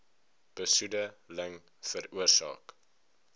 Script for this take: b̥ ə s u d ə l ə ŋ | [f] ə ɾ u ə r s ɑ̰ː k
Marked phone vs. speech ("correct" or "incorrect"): correct